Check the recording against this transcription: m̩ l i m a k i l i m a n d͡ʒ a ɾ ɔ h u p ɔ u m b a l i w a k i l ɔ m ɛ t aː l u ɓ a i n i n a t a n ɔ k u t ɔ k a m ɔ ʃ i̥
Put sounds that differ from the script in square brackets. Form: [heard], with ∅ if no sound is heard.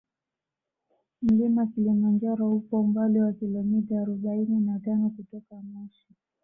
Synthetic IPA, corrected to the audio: m̩ l i m a k i l i m a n d͡ʒ a ɾ ɔ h u p ɔ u m b a l i w a k i l ɔ m [i] t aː [ɾ] u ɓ a i n i n a t a n ɔ k u t ɔ k a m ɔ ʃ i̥